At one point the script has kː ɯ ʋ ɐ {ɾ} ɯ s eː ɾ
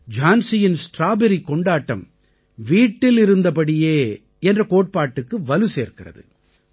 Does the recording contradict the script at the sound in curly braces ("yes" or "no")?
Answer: yes